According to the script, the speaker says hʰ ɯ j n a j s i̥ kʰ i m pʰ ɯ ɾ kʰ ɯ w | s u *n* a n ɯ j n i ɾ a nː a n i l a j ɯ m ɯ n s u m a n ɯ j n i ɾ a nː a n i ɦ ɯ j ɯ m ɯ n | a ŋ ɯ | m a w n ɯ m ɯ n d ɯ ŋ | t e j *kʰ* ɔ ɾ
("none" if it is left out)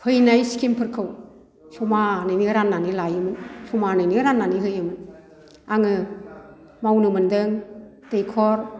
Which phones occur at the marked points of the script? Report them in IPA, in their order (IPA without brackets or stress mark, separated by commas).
m, kʰ